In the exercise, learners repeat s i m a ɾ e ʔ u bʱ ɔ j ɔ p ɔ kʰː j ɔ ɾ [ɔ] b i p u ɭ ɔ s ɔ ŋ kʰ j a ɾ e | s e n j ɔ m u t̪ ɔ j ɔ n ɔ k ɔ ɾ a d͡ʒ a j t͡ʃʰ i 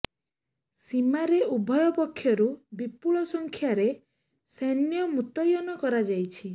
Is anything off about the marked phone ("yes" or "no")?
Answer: yes